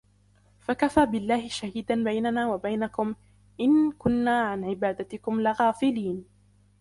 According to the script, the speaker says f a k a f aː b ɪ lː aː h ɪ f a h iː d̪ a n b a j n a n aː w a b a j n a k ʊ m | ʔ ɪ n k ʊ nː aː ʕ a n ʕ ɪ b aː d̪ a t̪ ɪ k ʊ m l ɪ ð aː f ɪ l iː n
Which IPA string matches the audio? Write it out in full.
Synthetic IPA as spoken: f a k a f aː b ɪ lː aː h ɪ ʃ a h iː d̪ a n b a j n a n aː w a b a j n a k ʊ m | ʔ ɪ n k ʊ nː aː ʕ a n ʕ ɪ b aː d̪ a t̪ ɪ k ʊ m l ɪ ɣ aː f ɪ l iː n